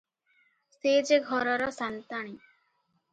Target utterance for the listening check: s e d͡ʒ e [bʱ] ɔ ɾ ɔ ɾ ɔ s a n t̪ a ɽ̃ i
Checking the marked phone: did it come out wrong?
yes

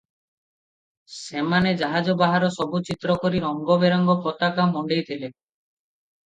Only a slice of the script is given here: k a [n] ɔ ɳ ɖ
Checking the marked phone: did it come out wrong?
yes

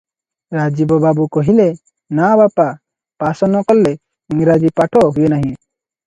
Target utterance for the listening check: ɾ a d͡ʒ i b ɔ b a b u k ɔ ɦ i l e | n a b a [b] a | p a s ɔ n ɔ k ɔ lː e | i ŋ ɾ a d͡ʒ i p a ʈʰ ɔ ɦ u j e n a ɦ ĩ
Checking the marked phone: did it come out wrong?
yes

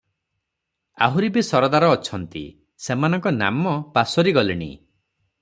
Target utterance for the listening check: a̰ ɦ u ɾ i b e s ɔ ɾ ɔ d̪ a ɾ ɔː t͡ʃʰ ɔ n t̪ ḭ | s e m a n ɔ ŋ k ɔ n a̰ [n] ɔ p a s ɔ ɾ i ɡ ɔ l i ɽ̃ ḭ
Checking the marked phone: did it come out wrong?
yes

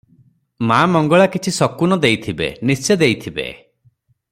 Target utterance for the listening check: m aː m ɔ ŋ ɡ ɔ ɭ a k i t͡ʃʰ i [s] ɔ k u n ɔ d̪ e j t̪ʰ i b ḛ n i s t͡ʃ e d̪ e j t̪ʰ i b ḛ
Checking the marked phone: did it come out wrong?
no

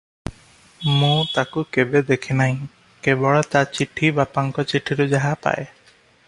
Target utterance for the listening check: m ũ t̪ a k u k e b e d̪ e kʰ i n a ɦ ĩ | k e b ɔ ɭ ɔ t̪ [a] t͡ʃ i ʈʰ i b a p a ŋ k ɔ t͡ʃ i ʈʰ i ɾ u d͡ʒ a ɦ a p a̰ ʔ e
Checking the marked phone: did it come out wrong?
no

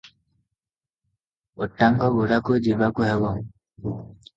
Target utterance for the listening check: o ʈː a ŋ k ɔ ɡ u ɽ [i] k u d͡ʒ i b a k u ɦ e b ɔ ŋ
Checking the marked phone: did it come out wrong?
yes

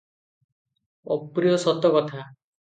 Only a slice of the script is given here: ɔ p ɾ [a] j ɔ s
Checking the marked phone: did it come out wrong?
yes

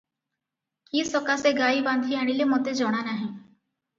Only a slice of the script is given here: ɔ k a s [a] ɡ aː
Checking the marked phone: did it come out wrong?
yes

